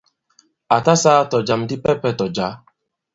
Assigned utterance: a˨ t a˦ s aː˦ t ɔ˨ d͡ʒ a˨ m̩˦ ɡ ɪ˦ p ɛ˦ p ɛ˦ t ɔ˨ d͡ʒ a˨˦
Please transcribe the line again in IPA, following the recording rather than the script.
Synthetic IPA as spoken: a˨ t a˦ s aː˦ t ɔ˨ d͡ʒ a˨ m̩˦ d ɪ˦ p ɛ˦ p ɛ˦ t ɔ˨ d͡ʒ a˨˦